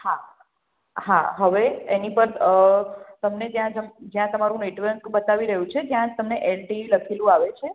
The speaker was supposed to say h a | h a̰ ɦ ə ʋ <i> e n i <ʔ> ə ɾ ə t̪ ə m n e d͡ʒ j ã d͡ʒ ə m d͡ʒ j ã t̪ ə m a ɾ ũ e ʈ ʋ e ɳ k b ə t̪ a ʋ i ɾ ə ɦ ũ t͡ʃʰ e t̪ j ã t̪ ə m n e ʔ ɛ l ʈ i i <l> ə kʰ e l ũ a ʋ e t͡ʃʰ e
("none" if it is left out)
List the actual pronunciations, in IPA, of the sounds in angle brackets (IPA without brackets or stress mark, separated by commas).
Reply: e, p, l